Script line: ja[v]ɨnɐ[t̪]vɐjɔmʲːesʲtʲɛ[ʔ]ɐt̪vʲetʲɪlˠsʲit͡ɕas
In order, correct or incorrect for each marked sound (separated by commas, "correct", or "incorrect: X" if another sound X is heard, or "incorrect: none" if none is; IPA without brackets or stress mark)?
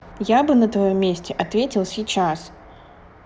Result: incorrect: b, correct, correct